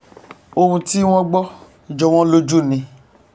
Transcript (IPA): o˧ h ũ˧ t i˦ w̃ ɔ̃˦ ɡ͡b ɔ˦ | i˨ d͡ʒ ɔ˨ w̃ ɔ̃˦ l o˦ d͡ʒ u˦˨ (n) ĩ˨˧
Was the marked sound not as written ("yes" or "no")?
no